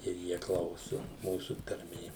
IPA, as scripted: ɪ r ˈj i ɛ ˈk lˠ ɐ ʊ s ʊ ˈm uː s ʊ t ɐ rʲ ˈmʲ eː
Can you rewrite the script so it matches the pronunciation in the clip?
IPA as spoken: ɪ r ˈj i ɛ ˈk lˠ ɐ ʊ s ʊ ˈm uː s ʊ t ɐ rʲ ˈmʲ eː